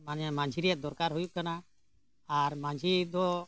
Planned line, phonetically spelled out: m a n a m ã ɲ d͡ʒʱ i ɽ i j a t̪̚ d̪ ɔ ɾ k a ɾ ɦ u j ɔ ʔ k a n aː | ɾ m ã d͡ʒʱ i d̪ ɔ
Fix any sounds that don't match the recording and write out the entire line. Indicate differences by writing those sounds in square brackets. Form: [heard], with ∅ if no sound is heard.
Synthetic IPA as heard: m a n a m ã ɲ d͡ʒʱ i [ɾ] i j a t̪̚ d̪ ɔ ɾ k a ɾ ɦ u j [u] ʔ k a n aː | ɾ m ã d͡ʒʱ i d̪ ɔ